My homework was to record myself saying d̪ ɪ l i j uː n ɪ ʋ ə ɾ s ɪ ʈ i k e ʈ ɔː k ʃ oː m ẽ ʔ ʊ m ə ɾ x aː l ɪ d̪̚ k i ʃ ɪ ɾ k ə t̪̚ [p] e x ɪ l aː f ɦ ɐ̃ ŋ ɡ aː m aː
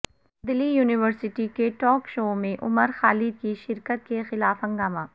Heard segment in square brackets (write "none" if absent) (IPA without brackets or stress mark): k